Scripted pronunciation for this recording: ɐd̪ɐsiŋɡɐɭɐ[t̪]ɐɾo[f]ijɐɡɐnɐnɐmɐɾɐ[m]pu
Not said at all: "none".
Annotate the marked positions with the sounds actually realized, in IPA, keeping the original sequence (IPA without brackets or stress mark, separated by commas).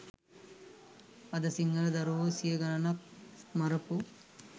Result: d̪, s, none